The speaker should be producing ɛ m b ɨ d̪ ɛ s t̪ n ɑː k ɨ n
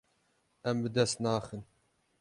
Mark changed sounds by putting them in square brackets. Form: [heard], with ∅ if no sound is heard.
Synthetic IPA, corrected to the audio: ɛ m b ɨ d̪ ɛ s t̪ n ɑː [x] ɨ n